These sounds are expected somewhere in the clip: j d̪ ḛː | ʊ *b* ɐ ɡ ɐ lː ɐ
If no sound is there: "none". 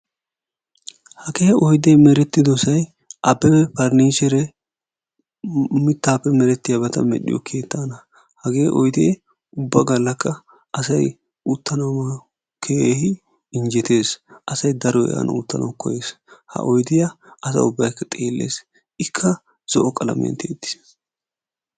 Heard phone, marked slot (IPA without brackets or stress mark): bː